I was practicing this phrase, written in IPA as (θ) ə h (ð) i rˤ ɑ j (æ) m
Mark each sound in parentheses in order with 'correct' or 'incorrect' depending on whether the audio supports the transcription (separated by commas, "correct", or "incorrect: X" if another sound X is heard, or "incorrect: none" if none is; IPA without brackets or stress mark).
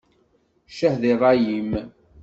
incorrect: ʃ, correct, incorrect: i